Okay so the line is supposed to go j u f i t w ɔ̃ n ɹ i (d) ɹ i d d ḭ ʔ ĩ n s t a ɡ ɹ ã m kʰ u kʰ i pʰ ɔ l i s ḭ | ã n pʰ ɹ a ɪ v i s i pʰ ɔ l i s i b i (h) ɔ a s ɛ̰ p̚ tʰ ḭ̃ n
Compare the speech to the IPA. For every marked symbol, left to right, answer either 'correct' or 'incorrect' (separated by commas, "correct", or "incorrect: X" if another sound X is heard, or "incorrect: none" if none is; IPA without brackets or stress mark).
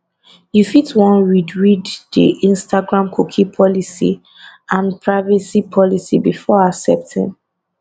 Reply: correct, incorrect: f